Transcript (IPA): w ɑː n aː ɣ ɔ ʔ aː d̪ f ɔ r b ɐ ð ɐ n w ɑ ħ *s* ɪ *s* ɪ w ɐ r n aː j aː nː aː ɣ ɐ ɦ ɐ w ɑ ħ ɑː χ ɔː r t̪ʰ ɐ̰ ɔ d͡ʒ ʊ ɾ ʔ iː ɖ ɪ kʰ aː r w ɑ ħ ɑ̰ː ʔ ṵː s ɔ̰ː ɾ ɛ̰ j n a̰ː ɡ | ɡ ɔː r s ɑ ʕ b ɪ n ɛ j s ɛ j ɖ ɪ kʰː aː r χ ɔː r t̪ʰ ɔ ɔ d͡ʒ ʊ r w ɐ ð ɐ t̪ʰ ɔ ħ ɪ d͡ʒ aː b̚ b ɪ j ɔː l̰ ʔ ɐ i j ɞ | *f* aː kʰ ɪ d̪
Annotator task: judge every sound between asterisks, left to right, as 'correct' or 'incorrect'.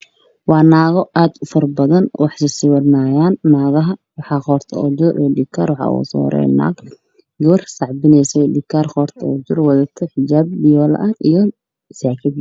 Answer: correct, correct, incorrect: s

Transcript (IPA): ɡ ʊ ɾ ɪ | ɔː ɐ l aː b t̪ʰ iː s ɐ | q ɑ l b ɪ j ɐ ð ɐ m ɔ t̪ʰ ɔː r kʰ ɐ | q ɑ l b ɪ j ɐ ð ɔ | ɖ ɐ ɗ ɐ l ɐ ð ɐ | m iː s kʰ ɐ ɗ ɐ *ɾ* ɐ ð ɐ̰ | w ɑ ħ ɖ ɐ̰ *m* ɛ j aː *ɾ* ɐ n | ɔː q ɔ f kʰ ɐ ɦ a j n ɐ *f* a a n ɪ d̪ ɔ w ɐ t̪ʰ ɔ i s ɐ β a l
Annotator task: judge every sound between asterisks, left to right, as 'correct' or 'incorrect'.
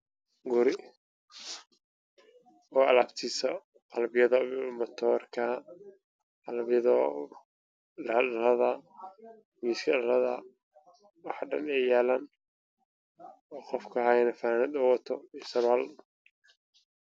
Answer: incorrect: l, incorrect: n, incorrect: l, correct

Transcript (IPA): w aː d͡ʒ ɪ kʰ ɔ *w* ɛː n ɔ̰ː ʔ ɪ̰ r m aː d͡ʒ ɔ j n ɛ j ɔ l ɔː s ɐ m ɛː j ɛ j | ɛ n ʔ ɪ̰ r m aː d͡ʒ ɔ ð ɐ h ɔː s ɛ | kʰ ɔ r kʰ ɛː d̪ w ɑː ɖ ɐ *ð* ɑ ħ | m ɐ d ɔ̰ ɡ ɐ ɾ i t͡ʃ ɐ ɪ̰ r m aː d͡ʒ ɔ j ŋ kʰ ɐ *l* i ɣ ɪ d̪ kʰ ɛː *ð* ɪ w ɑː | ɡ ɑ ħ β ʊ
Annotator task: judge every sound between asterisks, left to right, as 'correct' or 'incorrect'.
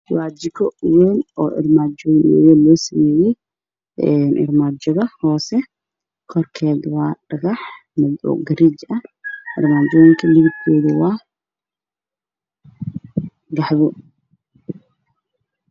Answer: correct, incorrect: ɣ, correct, correct

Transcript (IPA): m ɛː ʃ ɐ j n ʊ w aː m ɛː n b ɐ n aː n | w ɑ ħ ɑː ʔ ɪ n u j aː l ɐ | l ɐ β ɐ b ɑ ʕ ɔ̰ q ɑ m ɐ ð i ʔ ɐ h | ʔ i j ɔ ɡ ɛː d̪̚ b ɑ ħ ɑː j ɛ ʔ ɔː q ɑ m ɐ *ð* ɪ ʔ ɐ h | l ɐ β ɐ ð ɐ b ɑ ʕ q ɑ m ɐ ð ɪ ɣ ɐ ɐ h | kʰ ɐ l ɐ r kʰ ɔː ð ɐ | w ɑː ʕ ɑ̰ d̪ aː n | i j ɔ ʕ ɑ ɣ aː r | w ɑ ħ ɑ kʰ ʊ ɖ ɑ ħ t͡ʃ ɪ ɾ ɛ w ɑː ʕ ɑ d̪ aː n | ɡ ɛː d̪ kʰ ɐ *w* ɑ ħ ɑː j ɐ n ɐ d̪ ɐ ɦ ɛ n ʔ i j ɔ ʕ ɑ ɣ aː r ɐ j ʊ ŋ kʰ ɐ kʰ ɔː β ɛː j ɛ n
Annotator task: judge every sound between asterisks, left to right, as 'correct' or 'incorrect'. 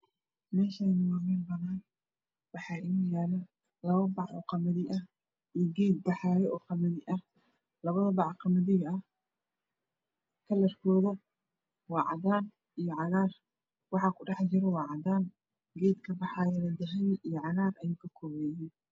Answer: correct, incorrect: b

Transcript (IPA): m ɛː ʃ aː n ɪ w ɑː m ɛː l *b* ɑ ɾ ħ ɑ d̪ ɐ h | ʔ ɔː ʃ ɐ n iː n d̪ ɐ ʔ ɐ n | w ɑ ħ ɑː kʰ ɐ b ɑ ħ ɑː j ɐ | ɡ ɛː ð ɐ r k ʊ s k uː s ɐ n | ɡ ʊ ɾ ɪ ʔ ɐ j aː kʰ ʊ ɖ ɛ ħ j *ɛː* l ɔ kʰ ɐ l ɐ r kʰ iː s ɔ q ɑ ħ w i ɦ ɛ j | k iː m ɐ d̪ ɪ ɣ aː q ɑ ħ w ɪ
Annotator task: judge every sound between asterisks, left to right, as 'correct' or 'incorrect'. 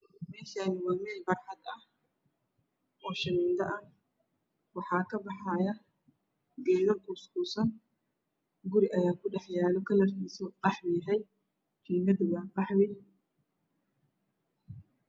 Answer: correct, incorrect: aː

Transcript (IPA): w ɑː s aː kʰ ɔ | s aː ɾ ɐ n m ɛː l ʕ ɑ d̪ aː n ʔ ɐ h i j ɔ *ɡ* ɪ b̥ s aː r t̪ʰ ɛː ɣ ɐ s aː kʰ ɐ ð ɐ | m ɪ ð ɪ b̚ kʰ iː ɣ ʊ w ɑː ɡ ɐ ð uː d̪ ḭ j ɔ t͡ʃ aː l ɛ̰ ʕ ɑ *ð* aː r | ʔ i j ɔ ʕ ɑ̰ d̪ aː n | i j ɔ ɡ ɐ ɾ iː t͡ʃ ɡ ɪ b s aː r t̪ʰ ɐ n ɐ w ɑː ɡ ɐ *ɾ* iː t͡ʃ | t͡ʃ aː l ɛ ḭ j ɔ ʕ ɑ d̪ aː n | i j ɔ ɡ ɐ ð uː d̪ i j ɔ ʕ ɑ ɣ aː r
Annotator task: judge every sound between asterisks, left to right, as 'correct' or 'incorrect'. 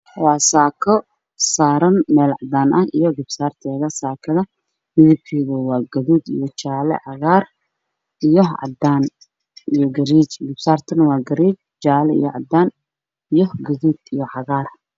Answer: correct, incorrect: ɣ, correct

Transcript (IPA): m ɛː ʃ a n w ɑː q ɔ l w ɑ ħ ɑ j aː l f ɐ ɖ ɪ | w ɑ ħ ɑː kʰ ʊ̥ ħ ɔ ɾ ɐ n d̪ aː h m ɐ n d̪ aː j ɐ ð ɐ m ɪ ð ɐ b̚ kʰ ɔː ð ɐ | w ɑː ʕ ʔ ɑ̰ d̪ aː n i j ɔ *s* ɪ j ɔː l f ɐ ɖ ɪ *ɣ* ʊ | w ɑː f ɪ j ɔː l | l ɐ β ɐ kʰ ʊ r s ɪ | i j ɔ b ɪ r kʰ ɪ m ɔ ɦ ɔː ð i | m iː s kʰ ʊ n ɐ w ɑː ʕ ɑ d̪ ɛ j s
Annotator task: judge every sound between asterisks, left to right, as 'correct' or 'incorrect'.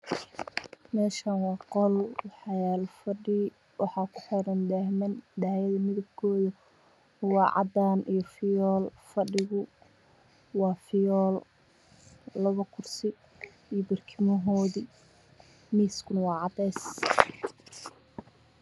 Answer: incorrect: f, correct

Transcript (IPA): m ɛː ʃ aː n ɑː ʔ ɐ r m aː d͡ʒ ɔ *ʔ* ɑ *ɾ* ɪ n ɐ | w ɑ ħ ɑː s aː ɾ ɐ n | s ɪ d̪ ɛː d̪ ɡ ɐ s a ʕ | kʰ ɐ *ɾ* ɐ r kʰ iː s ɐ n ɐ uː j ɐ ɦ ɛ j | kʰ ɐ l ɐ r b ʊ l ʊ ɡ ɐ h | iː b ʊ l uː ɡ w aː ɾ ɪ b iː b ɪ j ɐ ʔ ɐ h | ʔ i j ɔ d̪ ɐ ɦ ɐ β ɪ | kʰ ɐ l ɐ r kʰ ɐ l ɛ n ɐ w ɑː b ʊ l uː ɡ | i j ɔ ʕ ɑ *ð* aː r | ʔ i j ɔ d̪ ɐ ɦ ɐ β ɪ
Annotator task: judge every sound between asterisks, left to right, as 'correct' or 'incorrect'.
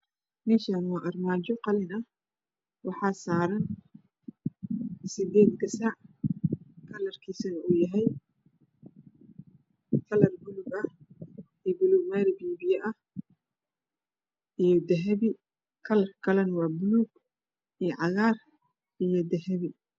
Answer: incorrect: q, incorrect: l, incorrect: l, incorrect: ɣ

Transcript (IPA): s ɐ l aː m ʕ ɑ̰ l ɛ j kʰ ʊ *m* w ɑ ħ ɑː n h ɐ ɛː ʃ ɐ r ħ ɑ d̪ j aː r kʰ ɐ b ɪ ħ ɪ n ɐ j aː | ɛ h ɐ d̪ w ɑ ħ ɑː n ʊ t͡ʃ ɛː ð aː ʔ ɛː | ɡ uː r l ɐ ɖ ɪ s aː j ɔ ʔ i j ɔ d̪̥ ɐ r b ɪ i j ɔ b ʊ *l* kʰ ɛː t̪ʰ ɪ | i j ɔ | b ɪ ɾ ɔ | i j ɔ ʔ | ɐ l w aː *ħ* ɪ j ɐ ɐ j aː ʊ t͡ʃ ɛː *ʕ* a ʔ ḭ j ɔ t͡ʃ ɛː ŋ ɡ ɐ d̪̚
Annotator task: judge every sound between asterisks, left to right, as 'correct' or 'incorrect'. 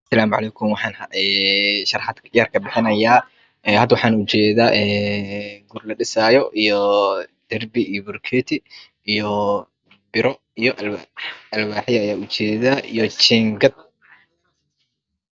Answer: correct, incorrect: r, correct, incorrect: ð

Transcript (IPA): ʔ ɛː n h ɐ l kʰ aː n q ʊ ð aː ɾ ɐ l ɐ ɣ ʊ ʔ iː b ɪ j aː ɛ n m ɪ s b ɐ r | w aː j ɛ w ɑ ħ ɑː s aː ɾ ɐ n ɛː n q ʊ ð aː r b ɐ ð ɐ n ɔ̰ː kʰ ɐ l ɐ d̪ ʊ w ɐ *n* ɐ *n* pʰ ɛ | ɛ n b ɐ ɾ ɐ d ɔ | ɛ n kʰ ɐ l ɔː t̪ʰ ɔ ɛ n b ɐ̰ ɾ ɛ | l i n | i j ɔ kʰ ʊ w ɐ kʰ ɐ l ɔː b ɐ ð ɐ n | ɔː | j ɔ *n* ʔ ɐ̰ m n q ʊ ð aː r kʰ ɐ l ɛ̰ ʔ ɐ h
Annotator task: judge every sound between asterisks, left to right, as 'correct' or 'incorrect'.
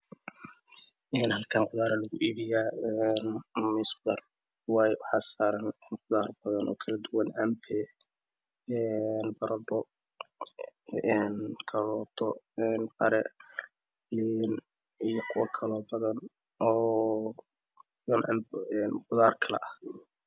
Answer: correct, incorrect: m, correct

